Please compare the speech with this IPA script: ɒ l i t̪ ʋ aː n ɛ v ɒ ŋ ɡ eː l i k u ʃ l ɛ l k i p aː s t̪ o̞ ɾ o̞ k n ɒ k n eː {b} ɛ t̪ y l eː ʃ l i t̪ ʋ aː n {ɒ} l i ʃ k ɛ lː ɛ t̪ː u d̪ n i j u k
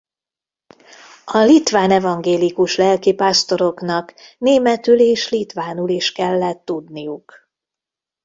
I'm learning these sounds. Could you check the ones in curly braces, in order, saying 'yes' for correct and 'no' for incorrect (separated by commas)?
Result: no, no